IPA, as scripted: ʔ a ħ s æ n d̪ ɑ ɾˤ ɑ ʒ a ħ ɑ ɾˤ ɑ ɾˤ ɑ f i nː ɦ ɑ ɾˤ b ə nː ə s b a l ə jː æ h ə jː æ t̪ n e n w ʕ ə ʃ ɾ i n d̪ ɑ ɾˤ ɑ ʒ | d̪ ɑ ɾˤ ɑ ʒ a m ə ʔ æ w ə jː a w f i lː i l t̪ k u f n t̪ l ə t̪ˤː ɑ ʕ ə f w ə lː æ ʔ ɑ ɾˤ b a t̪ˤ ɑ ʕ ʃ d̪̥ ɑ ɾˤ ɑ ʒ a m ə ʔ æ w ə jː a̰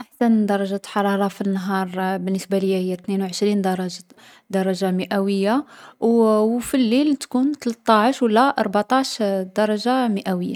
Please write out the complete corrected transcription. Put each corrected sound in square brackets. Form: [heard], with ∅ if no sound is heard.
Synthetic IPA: ʔ a ħ s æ n d̪ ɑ ɾˤ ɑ ʒ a ħ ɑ ɾˤ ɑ ɾˤ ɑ f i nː ɦ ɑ ɾˤ b ə nː ə s b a l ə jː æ h ə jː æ t̪ n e n w ʕ ə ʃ ɾ i n d̪ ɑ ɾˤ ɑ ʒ | d̪ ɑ ɾˤ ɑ ʒ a m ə ʔ æ w ə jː a w f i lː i l t̪ k u [∅] n t̪ l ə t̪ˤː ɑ ʕ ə [ʃ] w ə lː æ ʔ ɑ ɾˤ b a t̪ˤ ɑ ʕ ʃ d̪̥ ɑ ɾˤ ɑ ʒ a m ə ʔ æ w ə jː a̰

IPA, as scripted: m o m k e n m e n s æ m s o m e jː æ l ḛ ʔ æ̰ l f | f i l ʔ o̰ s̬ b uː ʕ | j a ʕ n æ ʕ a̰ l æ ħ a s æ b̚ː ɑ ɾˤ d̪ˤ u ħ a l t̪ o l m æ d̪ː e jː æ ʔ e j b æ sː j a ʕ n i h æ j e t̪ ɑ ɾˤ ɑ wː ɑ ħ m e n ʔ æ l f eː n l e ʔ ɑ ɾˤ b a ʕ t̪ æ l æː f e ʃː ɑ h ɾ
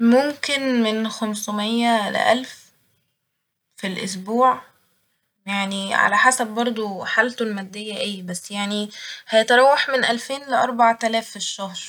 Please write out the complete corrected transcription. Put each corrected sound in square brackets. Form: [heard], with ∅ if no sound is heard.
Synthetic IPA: m o m k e n m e n [x] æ m s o m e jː æ l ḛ ʔ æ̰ l f | f i l ʔ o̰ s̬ b uː ʕ | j a ʕ n [i] ʕ a̰ l æ ħ a s æ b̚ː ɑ ɾˤ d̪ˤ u ħ a l t̪ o l m æ d̪ː e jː æ ʔ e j b æ sː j a ʕ n i h æ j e t̪ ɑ ɾˤ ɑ wː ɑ ħ m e n ʔ æ l f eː n l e ʔ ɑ ɾˤ b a ʕ t̪ æ l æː f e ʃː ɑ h ɾ

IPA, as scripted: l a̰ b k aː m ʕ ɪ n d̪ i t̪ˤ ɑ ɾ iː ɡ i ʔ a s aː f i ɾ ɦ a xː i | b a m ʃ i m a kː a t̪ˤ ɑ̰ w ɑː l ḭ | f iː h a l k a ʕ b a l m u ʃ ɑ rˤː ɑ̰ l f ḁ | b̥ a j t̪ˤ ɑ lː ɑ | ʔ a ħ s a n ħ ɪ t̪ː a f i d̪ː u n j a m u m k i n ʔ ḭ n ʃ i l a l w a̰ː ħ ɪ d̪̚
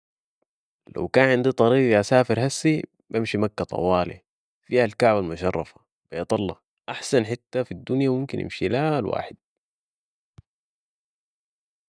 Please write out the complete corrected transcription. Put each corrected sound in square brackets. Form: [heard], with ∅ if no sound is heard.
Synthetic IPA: l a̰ [w] k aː [n] ʕ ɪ n d̪ i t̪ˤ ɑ ɾ iː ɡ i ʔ a s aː f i ɾ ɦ a [sː] i | b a m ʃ i m a kː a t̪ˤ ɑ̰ w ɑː l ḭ | f iː h a l k a ʕ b a l m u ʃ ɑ rˤː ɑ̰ [∅] f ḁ | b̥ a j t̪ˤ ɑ lː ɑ | ʔ a ħ s a n ħ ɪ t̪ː a f i d̪ː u n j a m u m k i n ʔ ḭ [m] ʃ i l a l w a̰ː ħ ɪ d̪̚

